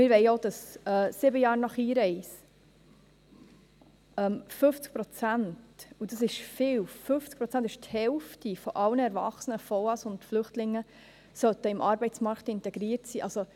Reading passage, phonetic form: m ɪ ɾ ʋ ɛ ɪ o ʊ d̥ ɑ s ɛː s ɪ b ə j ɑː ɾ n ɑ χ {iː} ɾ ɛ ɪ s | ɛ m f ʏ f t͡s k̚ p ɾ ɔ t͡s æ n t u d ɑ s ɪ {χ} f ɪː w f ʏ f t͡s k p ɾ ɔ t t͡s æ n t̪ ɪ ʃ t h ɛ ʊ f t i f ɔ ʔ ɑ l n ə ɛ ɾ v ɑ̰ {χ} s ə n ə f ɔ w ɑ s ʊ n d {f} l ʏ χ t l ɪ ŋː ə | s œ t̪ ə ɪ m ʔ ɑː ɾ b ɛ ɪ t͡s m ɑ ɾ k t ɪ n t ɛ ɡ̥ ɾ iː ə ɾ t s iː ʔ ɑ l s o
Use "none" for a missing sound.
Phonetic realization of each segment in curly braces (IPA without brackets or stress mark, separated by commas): iː, ʃ, χ, f